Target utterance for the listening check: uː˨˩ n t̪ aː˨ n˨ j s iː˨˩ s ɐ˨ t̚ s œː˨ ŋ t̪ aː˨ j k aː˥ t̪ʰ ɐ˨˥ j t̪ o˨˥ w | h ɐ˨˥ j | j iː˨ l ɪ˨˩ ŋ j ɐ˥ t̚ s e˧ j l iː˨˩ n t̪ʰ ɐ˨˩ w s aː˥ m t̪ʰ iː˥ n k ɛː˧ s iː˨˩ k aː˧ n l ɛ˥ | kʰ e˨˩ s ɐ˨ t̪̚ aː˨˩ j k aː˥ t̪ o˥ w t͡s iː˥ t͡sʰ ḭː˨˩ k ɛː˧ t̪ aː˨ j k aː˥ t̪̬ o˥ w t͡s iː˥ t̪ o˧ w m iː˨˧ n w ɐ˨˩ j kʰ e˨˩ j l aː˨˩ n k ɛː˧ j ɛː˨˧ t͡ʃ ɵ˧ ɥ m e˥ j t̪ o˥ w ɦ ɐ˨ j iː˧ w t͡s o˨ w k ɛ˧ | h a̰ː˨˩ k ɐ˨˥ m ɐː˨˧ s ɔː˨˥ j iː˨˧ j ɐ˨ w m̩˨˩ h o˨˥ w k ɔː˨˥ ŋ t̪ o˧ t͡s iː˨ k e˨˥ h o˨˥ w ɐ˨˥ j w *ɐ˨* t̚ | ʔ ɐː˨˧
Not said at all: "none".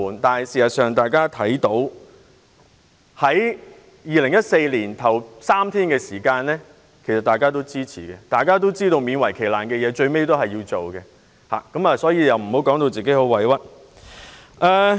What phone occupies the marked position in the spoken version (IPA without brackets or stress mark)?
ɐ˥